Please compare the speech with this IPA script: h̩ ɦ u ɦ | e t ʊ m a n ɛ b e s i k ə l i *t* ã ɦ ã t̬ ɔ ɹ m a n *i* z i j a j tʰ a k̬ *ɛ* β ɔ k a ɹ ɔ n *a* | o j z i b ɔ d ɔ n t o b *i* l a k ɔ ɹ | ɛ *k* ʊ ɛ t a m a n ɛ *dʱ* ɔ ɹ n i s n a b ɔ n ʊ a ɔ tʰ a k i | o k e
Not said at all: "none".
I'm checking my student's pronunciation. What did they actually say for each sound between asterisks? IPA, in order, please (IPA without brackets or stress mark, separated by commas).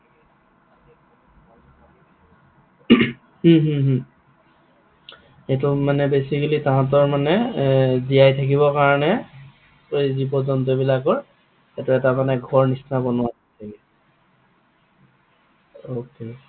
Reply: t, ɛ, i, ɛ, i, t, ɡʱ